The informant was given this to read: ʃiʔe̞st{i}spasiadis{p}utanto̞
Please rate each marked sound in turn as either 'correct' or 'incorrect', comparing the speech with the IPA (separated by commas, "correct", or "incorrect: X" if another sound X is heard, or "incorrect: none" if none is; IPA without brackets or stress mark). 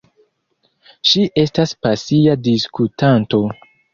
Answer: incorrect: a, incorrect: k